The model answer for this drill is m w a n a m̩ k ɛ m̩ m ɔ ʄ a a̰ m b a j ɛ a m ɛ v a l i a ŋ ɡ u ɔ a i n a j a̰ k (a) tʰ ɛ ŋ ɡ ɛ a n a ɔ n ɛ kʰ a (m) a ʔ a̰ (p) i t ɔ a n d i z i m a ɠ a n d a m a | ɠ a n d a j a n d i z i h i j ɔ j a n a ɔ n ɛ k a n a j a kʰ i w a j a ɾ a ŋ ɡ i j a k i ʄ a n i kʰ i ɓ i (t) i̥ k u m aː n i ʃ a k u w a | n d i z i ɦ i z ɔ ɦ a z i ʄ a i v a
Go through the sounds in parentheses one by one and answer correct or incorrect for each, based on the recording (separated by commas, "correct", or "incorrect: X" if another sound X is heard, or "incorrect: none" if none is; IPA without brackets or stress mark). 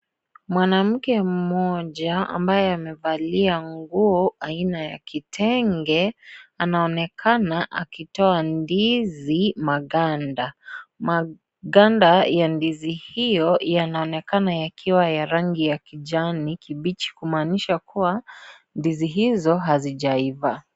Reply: incorrect: i, incorrect: n, incorrect: k, incorrect: t͡ʃ